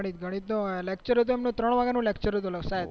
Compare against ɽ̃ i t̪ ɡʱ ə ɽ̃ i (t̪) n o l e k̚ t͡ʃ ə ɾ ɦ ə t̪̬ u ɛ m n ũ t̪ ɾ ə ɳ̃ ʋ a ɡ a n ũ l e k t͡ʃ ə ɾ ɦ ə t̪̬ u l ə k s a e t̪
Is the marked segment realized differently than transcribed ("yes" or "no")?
no